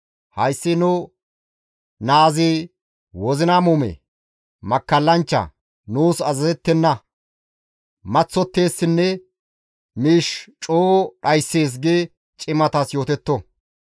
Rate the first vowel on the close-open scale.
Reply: open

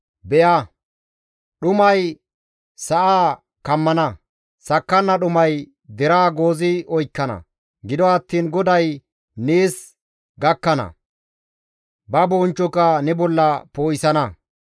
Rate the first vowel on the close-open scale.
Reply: mid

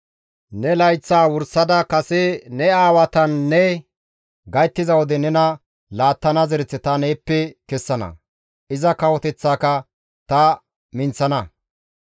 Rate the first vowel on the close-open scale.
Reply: mid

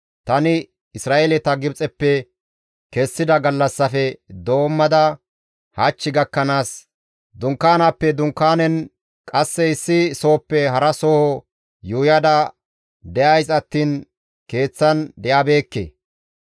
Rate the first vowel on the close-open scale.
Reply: open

